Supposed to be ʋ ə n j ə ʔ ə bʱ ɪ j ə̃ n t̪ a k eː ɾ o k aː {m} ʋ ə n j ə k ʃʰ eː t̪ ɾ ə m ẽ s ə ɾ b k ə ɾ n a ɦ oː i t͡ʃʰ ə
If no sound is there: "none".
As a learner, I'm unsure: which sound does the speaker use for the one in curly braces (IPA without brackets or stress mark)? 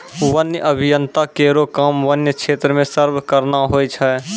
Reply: m